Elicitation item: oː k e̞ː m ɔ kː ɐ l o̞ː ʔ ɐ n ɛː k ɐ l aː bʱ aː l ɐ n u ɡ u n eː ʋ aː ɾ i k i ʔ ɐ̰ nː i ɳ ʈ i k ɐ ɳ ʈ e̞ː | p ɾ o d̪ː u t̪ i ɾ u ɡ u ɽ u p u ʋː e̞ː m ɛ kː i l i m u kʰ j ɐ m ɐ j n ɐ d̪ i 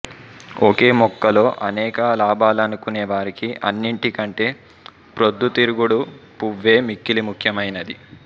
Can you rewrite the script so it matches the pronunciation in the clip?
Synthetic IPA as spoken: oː k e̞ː m ɔ kː ɐ l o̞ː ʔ ɐ n ɛː k ɐ l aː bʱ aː l ɐ n u k u n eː ʋ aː ɾ i k i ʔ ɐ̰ nː i ɳ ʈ i k ɐ ɳ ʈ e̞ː | p ɾ o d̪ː u t̪ i ɾ u ɡ u ɽ u p u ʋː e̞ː m i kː i l i m u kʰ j ɐ m ɐ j n ɐ d̪ i